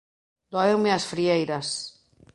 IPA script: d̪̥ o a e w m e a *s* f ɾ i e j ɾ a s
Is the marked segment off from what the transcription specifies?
no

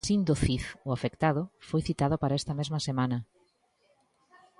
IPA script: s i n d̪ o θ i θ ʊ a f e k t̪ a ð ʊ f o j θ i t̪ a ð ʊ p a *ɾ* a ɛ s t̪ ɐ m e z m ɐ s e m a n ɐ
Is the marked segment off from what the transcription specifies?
no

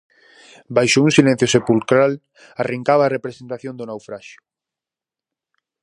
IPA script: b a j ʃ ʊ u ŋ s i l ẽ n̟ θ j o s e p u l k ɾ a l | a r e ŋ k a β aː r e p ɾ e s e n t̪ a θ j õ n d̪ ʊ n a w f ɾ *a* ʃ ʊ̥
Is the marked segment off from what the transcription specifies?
no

